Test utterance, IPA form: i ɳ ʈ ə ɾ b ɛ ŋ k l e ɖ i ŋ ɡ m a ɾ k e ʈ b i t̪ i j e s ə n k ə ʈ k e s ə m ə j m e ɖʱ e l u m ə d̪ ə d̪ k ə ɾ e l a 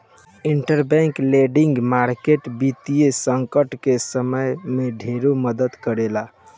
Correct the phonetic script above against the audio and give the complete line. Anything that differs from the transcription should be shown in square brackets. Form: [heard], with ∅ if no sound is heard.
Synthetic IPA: i ɳ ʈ ə ɾ b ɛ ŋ k l e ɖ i ŋ ɡ m a ɾ k e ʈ b i t̪ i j e s ə [ŋ] k ə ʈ k e s ə m ə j m e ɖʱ e [ɾ] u m ə d̪ ə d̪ k ə ɾ e l a